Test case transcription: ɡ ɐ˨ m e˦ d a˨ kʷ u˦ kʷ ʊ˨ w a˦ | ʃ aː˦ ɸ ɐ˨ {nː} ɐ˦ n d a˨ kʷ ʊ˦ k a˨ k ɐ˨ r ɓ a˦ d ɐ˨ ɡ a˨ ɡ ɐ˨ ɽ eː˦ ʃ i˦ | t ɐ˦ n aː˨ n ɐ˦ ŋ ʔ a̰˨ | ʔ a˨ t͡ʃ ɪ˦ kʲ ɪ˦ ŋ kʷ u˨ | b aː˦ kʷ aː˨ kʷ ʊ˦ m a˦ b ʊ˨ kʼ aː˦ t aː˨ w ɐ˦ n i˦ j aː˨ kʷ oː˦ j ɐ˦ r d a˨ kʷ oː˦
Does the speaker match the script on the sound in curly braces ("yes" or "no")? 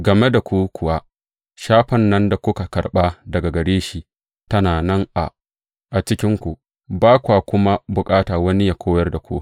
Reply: yes